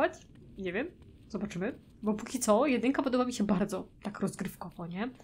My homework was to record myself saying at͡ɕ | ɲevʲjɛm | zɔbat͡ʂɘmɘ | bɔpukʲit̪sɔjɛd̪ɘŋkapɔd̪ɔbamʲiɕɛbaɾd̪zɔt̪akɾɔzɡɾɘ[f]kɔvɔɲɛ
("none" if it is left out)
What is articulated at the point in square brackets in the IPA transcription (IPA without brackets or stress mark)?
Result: f